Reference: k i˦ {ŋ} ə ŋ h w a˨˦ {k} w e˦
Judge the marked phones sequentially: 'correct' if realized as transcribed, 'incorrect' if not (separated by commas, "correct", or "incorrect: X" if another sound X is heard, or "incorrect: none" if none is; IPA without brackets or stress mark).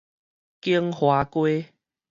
incorrect: none, correct